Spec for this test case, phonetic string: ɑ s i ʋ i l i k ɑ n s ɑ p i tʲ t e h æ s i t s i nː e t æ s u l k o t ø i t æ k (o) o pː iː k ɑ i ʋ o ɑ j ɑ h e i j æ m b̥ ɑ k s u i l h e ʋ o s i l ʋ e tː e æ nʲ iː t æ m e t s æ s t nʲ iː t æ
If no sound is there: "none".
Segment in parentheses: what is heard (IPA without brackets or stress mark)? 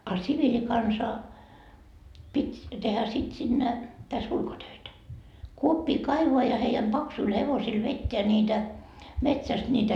u